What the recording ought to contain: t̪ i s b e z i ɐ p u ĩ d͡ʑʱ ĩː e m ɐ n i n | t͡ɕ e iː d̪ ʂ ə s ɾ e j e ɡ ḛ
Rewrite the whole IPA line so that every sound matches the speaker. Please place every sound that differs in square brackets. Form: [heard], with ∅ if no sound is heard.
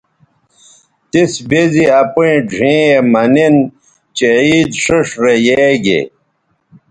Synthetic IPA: t̪ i s b e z i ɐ p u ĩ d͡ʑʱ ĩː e m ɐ n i n | t͡ɕ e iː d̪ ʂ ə [ʂ] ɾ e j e ɡ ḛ